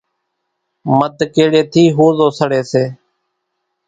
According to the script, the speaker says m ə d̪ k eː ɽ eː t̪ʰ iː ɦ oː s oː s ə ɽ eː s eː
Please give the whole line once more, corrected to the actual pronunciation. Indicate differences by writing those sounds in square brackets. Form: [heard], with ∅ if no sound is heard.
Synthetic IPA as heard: m ə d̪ k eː ɽ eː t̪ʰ iː ɦ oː [z] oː s ə ɽ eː s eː